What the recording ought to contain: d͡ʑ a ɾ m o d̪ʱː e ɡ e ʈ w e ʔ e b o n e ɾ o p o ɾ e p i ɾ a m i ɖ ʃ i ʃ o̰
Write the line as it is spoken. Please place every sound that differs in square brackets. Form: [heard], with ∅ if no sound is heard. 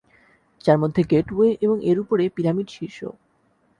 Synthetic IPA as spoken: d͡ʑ a ɾ m o d̪ʱː e ɡ e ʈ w e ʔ e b o [ŋ] e ɾ [u] p o ɾ e p i ɾ a m i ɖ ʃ i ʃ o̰